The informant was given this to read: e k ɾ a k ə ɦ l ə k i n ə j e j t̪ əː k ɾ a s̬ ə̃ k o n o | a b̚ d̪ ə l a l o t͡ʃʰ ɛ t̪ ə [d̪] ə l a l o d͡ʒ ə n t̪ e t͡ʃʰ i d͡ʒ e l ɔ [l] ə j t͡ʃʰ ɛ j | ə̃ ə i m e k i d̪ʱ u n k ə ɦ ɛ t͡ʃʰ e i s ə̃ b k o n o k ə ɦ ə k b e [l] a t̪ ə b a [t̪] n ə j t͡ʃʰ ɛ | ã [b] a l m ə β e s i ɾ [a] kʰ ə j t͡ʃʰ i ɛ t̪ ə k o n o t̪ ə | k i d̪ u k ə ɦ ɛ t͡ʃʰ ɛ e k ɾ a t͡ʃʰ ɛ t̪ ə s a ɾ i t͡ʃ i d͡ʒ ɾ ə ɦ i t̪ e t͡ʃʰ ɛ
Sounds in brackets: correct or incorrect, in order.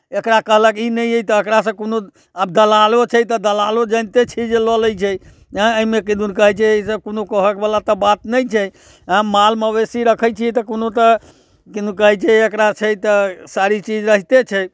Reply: correct, correct, correct, correct, incorrect, incorrect

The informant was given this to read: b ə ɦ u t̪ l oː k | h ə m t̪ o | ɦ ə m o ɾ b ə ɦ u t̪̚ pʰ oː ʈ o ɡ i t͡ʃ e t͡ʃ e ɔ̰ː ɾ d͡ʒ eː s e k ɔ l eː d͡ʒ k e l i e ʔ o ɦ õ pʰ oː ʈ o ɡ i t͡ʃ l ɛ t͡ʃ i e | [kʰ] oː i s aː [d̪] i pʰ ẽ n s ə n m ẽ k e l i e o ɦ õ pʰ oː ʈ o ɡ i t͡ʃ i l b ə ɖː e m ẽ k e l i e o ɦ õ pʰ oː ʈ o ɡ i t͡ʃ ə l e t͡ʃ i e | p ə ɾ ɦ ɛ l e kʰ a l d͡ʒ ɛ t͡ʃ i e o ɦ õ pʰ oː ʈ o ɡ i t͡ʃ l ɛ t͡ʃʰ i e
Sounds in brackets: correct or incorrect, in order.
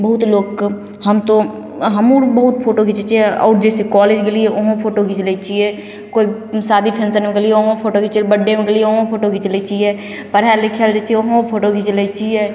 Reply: incorrect, correct

